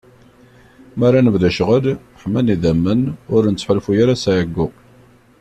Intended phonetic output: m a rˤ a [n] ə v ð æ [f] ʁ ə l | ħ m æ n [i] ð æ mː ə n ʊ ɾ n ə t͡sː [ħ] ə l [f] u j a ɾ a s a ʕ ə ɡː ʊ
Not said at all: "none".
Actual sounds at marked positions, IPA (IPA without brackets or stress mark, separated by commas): n, ʃ, i, ħ, f